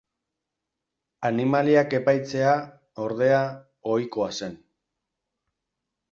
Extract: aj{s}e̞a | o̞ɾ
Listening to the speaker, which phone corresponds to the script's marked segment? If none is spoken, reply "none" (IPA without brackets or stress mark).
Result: t͡s